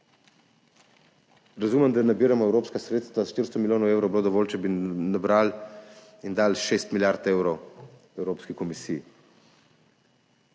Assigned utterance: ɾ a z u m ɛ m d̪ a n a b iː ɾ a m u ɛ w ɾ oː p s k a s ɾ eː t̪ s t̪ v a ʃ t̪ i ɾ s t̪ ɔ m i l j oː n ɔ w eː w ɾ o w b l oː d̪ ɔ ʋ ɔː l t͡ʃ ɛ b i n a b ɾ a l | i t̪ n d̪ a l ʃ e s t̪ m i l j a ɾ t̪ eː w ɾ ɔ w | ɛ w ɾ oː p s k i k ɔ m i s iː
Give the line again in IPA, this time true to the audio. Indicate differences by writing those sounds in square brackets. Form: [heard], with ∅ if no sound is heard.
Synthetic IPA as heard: ɾ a z u m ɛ m d̪ a n a b iː ɾ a m [ɔ] ɛ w ɾ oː p s k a s ɾ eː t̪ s t̪ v a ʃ t̪ i ɾ s t̪ ɔ m i l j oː n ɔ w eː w ɾ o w b l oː d̪ ɔ ʋ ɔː l t͡ʃ ɛ b i n a b ɾ a l | i [∅] n d̪ a l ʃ e s t̪ m i l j a ɾ t̪ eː w ɾ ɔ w | ɛ w ɾ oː p s k i k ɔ m i s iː